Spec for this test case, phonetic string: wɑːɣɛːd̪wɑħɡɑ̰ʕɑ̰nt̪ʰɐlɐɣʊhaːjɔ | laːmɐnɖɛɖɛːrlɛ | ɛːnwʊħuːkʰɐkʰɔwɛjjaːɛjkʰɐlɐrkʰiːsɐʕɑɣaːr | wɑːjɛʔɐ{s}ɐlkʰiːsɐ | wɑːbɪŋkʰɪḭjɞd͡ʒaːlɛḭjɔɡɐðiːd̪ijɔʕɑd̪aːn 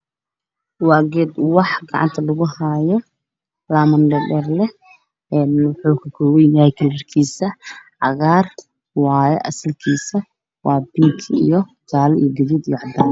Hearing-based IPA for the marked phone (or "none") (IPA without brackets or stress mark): s